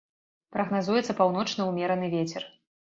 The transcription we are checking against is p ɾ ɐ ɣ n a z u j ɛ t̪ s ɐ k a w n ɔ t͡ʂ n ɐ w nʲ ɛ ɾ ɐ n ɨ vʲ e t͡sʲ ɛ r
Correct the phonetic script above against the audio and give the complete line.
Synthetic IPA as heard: p ɾ ɐ ɣ n a z u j ɛ t̪ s ɐ p a w n ɔ t͡ʂ n ɐ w mʲ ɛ ɾ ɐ n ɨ vʲ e t͡sʲ ɛ r